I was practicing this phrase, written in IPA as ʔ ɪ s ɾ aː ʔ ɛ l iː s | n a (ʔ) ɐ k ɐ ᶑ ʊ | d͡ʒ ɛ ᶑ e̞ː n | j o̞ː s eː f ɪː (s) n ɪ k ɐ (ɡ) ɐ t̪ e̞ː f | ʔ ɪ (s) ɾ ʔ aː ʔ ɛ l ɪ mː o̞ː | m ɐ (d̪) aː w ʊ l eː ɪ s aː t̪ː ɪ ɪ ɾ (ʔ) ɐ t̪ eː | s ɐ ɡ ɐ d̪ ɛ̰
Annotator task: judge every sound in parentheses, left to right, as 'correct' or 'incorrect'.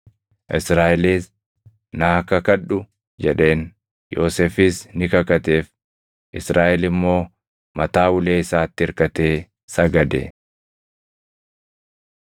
incorrect, correct, incorrect, correct, incorrect, incorrect

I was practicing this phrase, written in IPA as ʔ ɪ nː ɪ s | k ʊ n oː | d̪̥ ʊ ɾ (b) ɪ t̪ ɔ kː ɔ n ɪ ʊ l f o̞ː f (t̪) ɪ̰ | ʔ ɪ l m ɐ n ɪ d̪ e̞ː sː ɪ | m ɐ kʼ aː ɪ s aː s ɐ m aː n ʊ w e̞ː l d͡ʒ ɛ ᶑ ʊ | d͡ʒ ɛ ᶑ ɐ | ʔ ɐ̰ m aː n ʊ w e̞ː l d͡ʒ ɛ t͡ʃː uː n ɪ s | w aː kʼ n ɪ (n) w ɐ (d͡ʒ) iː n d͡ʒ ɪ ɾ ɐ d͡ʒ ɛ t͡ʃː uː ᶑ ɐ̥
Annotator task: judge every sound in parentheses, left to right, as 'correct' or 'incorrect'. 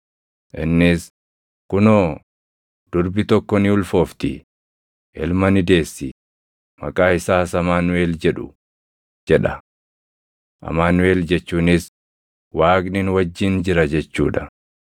correct, correct, correct, incorrect

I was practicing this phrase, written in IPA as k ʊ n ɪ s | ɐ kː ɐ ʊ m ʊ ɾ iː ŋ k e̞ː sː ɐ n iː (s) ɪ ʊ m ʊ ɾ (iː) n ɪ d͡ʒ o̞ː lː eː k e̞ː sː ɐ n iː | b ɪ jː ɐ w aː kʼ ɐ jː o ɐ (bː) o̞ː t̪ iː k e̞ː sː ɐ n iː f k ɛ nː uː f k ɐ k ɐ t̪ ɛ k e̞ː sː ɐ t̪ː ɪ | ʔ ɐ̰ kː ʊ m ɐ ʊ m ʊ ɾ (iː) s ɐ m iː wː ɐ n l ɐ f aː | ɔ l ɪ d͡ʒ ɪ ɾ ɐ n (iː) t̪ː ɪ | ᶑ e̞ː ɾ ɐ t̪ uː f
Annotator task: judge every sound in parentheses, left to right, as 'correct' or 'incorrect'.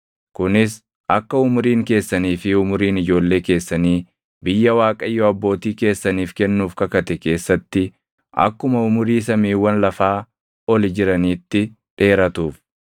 incorrect, correct, correct, correct, correct

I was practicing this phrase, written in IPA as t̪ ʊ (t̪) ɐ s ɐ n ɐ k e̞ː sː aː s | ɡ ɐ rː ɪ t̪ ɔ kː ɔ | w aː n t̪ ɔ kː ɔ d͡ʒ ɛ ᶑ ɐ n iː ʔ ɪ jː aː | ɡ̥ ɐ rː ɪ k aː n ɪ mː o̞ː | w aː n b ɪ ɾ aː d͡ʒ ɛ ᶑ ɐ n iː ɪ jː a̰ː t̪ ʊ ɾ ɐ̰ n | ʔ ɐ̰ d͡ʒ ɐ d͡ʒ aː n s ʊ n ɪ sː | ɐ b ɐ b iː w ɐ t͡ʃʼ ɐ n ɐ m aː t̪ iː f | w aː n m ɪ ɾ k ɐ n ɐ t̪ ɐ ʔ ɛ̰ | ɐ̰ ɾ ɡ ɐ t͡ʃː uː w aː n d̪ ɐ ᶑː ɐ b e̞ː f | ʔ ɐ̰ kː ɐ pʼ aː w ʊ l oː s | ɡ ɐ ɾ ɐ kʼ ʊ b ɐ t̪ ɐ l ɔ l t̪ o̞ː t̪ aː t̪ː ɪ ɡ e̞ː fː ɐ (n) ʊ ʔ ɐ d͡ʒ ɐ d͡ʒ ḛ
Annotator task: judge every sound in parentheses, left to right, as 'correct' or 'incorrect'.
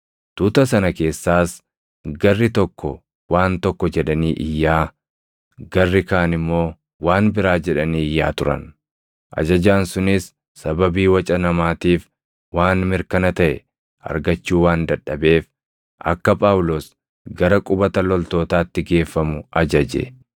correct, incorrect

